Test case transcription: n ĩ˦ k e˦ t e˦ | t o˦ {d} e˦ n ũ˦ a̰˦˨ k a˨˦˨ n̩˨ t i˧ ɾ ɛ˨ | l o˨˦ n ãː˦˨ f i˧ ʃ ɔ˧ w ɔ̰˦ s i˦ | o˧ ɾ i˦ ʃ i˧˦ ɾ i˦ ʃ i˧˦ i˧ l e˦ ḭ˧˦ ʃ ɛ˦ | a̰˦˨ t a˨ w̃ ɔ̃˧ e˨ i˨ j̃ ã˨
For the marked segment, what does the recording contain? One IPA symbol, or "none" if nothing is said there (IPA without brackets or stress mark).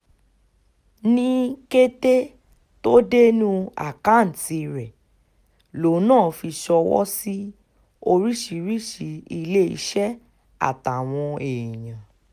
d